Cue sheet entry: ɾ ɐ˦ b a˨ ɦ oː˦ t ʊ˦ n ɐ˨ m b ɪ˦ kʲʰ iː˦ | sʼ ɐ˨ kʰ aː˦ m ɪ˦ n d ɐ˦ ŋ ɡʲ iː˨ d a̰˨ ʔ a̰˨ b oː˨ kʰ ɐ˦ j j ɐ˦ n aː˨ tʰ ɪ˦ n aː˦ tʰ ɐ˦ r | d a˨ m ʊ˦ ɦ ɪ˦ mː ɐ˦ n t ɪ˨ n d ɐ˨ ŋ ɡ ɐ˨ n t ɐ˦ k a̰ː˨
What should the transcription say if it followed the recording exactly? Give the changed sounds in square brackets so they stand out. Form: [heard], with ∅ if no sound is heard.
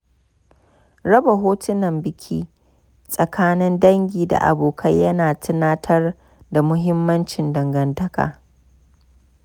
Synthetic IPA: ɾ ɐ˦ b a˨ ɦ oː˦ t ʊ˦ n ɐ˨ m b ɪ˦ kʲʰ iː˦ | sʼ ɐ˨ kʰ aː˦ [n] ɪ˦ n d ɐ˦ ŋ ɡʲ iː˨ d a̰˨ ʔ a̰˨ b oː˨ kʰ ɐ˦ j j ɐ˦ n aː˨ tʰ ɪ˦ n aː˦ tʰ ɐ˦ r | d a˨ m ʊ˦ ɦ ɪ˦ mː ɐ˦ n [t͡ʃ] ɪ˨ n d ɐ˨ ŋ ɡ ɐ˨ n t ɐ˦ k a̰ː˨